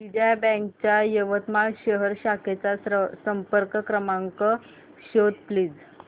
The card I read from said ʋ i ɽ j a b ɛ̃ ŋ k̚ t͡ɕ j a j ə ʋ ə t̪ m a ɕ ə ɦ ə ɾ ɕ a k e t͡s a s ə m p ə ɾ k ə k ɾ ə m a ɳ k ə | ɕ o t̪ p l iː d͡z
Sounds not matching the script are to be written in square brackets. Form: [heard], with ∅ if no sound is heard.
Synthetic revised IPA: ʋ i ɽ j a b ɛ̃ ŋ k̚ t͡ɕ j a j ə ʋ ə t̪ m a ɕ ə ɦ ə ɾ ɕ a k e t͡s a s ə m p ə ɾ k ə k ɾ ə m a [ŋ] k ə | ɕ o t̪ p l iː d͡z